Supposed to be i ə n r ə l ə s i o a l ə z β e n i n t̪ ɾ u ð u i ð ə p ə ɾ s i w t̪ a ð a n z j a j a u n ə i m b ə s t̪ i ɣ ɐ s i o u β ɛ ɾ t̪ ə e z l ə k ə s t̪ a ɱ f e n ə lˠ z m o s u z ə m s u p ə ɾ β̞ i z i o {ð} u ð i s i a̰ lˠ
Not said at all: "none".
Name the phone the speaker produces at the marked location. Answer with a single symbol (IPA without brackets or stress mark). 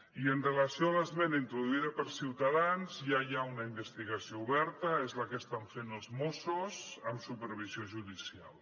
ʒ